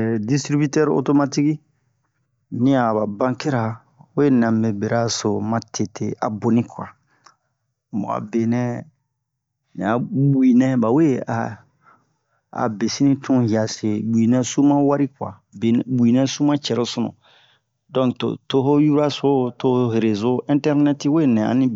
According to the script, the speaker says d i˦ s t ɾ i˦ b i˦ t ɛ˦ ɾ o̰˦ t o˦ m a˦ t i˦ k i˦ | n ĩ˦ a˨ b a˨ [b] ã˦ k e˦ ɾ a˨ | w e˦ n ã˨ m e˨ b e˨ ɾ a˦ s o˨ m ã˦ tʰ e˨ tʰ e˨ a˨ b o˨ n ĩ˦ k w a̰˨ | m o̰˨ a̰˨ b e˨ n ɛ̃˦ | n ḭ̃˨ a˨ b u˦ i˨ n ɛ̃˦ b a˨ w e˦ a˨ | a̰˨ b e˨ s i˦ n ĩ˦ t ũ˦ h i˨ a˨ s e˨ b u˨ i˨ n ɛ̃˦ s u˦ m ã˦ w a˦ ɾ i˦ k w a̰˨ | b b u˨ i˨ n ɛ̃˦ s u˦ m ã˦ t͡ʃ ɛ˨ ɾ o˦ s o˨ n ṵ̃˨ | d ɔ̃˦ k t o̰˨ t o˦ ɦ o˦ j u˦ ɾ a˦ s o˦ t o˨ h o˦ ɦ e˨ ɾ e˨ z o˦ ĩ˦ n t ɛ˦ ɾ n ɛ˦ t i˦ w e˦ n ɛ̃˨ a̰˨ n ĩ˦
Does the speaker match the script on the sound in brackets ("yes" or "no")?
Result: yes